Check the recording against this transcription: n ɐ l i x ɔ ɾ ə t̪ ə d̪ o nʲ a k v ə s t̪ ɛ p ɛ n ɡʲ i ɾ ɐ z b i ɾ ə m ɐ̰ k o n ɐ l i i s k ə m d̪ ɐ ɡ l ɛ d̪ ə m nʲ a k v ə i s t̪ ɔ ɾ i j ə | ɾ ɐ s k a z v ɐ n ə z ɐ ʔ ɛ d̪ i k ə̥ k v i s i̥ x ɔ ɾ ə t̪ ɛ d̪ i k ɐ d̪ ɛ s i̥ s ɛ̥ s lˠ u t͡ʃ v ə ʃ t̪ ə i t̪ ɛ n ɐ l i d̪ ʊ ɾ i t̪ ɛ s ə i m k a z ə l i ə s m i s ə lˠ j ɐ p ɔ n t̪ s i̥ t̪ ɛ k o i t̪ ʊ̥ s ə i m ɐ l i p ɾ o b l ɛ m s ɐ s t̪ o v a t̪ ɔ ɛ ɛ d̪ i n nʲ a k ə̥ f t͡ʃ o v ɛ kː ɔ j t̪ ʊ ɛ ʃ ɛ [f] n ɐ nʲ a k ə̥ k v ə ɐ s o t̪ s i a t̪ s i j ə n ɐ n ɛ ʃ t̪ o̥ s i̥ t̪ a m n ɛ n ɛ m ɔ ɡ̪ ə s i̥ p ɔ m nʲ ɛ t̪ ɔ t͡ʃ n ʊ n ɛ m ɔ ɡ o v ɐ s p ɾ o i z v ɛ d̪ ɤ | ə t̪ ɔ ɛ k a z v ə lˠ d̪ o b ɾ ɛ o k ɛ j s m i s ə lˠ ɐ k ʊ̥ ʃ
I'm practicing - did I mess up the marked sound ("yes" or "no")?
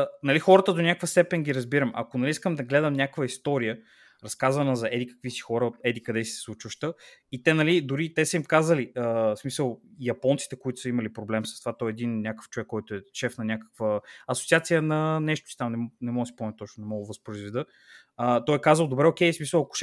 no